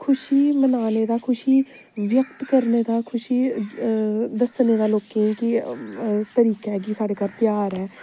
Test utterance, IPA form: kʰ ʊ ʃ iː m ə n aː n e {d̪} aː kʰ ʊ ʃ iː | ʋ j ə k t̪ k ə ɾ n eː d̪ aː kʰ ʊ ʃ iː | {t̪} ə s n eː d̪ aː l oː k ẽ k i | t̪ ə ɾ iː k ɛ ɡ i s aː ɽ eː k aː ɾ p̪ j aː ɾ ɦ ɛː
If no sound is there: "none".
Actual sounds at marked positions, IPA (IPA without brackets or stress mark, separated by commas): d̪, d̪